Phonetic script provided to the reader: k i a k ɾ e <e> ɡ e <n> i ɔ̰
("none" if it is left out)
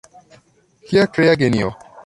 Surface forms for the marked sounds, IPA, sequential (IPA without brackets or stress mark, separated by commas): a, n